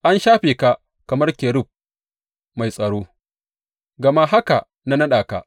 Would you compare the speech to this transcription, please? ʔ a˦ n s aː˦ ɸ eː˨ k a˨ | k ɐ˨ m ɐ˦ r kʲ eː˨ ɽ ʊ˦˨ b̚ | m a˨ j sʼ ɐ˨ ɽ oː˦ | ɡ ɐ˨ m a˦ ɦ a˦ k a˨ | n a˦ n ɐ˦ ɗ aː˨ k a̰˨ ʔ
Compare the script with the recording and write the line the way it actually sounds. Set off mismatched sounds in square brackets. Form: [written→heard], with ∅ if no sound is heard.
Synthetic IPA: ʔ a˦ n [s→ʃ] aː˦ ɸ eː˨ k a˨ | k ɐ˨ m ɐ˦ r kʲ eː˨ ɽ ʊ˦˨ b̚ | m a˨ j sʼ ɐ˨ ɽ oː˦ | ɡ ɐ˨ m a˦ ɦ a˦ k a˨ | n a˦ n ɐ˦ ɗ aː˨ k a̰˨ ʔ

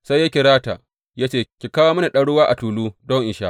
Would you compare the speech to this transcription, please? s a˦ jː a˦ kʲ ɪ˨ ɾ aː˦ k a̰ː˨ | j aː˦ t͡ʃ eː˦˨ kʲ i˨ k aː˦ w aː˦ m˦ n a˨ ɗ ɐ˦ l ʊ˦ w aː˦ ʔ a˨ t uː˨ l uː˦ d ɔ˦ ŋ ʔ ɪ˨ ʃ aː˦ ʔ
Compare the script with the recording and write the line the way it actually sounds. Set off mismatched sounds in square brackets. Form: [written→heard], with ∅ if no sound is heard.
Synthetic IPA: s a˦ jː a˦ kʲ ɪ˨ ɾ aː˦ [k→t] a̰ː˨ | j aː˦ t͡ʃ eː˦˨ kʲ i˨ k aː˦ w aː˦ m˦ n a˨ ɗ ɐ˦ [l→ɽ] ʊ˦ w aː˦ ʔ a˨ t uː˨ l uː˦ d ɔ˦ ŋ ʔ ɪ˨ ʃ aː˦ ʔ

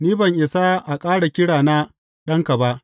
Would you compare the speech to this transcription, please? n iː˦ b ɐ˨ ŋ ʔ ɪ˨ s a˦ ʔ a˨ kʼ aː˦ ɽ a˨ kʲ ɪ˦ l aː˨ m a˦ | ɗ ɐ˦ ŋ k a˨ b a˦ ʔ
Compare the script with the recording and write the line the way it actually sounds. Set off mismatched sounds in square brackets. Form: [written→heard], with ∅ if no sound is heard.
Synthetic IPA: n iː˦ b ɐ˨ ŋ ʔ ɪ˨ s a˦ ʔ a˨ kʼ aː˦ ɽ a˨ kʲ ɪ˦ [l→ɽ] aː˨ [m→n] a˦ | ɗ ɐ˦ ŋ k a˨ b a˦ ʔ

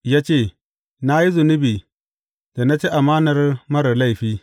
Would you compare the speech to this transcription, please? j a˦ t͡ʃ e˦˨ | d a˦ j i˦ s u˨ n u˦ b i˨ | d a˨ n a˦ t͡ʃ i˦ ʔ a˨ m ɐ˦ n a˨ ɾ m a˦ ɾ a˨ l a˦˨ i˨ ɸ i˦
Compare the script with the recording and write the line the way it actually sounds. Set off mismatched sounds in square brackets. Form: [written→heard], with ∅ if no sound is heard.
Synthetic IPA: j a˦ t͡ʃ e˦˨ | [d→n] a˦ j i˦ [s→z] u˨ n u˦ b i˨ | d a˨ n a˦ t͡ʃ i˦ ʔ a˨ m [ɐ˦→a˦] n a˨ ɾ m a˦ ɾ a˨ l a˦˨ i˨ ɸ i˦

